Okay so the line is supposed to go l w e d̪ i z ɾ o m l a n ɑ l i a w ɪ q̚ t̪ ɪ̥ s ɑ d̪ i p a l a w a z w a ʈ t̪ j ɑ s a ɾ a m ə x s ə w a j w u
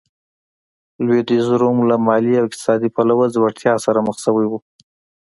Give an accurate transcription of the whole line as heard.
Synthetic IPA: l w e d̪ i z ɾ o m l a m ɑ l i a w ɪ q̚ t̪ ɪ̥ s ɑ d̪ i p a l a w a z w a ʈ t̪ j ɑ s a ɾ a m ə x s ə w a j w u